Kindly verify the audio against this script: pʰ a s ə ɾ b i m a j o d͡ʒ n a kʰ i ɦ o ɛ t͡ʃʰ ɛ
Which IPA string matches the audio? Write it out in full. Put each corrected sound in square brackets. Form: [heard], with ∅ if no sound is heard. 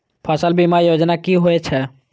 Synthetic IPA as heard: pʰ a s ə [l] b i m a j o d͡ʒ n a [k] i ɦ o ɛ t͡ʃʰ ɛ